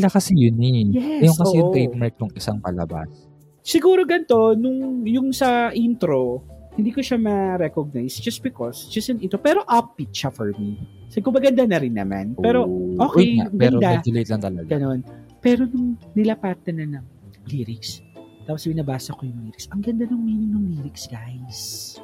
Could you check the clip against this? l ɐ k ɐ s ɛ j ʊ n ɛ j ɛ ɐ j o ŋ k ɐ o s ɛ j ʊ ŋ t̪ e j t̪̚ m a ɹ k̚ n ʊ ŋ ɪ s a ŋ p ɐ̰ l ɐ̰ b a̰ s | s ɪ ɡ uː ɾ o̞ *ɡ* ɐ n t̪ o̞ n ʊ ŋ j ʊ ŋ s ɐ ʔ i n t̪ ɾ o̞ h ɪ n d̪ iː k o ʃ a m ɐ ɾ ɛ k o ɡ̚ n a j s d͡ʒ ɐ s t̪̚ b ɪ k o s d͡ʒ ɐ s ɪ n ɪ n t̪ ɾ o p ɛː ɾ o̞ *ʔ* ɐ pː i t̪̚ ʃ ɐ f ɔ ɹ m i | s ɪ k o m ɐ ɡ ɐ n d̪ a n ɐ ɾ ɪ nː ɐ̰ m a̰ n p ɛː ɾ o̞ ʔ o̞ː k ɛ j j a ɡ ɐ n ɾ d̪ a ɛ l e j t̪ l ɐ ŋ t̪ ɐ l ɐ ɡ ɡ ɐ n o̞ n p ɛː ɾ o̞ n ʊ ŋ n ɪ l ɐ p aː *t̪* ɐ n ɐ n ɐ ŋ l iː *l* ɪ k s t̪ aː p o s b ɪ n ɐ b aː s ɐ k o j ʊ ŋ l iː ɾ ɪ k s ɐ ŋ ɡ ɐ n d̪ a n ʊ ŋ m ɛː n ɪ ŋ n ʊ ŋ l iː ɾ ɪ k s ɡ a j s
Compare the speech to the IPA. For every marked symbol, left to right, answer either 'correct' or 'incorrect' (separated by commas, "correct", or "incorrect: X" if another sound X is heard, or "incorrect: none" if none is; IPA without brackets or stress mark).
correct, correct, correct, incorrect: ɾ